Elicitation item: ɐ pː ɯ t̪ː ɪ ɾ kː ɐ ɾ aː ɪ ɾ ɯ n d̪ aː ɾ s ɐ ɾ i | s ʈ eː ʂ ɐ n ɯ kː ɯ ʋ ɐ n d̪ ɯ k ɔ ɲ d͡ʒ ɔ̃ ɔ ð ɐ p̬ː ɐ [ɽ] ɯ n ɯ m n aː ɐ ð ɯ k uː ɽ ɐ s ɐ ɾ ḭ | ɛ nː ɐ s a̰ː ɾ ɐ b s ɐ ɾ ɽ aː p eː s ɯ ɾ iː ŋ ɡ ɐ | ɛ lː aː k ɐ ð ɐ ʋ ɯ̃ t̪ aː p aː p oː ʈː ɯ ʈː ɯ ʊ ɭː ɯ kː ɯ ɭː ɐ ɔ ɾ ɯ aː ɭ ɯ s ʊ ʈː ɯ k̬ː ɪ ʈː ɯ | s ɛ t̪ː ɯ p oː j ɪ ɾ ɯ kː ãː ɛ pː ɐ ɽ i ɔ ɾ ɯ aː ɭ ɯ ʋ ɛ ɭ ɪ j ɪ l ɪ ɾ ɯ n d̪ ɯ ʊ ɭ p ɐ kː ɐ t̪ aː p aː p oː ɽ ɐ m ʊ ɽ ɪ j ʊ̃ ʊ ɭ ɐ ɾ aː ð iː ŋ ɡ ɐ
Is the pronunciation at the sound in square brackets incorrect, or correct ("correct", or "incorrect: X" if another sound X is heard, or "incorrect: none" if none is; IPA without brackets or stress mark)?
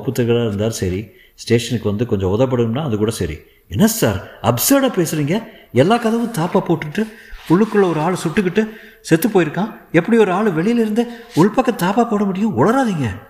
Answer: correct